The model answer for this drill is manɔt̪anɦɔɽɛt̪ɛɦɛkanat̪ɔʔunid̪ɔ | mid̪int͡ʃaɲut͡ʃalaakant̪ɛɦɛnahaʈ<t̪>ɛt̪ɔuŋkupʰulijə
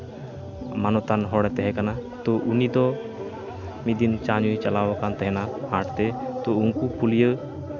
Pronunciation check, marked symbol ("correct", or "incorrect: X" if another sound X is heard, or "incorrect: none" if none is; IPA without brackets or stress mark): correct